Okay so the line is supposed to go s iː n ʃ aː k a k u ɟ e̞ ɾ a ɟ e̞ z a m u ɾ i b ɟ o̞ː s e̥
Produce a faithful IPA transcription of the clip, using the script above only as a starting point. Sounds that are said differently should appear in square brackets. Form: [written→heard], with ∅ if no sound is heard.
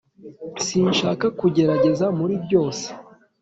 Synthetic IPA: s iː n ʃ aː k a k u ɟ e̞ ɾ a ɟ e̞ z a m u ɾ i b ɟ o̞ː s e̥